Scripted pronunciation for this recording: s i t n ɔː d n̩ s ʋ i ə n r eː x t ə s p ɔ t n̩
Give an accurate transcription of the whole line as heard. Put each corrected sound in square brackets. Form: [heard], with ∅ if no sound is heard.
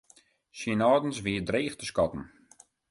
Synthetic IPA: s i [∅] n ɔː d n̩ s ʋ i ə [d] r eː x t ə s [k] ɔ t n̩